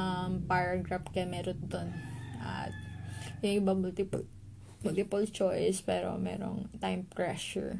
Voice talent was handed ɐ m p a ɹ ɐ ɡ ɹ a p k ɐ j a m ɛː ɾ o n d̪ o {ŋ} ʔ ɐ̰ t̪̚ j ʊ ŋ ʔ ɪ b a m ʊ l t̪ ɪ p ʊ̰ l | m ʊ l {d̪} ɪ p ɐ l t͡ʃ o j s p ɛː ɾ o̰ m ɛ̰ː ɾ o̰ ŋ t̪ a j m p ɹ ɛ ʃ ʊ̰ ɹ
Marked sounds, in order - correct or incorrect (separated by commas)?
incorrect, incorrect